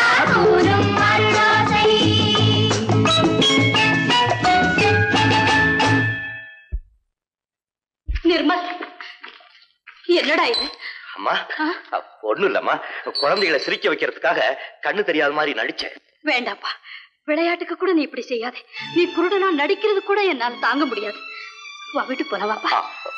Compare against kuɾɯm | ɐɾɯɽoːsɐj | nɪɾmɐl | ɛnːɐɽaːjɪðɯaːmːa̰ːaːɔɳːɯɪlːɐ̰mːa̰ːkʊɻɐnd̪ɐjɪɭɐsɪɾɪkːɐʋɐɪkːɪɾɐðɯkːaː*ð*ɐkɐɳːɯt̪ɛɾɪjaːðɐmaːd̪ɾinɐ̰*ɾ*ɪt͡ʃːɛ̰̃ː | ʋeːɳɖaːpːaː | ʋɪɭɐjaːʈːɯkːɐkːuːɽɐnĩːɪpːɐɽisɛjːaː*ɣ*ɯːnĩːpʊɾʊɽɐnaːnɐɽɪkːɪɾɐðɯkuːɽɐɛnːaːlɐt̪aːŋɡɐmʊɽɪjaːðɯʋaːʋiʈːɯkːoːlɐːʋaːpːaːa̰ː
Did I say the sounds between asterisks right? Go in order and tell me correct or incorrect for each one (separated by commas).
incorrect, incorrect, incorrect